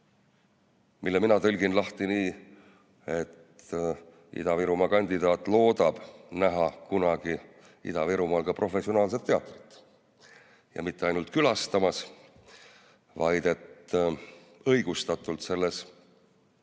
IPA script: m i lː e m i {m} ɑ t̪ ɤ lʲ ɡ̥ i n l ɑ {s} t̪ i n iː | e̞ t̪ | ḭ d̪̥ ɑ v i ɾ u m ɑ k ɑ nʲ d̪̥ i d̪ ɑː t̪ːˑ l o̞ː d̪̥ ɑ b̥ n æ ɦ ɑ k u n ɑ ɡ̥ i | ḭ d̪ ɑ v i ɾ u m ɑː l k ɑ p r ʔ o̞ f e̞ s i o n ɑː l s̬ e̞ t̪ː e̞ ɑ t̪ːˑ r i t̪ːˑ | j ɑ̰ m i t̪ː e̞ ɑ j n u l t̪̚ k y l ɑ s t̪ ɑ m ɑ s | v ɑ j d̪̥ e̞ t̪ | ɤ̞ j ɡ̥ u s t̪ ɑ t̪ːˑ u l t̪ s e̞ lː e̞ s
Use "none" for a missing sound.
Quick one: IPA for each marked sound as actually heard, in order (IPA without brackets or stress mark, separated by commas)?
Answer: n, h